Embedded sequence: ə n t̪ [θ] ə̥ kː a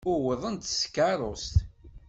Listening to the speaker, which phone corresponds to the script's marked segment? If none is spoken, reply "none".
s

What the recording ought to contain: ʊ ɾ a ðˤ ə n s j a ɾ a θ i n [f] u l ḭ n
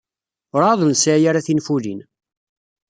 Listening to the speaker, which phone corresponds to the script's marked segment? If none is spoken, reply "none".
f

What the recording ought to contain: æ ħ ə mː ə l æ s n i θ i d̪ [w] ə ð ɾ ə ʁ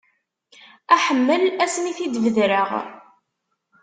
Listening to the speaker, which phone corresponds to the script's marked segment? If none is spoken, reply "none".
v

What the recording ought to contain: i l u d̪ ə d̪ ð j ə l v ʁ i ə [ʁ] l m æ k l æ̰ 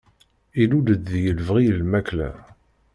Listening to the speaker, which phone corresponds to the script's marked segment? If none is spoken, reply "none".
none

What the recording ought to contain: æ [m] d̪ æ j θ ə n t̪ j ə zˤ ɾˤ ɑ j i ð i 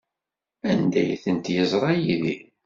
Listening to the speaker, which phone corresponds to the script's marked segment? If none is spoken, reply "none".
n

